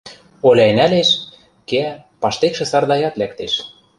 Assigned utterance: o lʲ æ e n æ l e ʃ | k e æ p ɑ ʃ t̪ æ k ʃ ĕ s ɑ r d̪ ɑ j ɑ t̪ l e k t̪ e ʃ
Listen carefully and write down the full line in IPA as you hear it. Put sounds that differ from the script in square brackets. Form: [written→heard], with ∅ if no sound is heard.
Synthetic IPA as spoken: o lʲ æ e n æ l e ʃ | k e æ p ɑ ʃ t̪ [æ→e] k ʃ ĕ s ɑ r d̪ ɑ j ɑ t̪ l [e→æ] k t̪ e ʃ